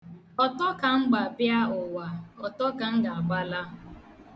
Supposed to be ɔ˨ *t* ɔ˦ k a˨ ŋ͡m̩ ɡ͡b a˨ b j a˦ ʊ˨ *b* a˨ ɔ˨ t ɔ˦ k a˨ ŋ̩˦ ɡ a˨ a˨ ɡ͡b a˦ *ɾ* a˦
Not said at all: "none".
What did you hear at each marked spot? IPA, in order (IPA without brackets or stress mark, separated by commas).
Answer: t, w, l